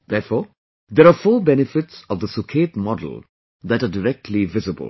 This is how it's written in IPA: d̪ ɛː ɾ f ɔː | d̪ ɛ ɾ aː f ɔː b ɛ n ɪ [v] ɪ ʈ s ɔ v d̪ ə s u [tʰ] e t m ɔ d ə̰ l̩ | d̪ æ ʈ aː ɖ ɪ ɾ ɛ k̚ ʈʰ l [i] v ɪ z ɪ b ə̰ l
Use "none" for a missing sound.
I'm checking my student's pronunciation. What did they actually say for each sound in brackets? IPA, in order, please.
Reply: f, kʰ, i

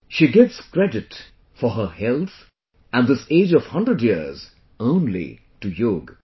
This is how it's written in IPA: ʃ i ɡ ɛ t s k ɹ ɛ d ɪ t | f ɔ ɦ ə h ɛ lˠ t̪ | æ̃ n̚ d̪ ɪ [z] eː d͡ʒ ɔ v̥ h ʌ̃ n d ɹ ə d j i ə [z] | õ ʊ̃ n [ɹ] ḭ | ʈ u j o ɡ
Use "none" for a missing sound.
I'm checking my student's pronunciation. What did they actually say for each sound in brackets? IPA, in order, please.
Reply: s, z, l

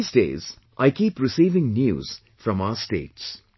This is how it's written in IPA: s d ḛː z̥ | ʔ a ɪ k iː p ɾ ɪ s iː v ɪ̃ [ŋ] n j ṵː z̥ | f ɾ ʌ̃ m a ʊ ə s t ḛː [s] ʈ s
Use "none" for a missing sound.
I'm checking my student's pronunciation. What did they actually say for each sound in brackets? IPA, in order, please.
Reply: ŋ, none

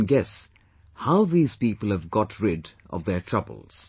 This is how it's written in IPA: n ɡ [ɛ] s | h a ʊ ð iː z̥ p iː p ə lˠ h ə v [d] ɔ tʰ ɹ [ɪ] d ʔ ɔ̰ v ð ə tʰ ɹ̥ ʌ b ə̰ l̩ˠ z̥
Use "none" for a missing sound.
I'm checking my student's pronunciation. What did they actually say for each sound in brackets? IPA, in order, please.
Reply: ɛ, ɡ, ɪ

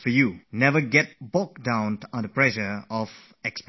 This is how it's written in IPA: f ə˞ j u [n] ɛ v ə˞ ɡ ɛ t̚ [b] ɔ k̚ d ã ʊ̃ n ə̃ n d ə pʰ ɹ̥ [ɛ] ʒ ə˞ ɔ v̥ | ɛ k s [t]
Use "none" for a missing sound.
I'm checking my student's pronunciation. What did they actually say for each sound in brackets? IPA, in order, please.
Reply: n, b, ɛ, p

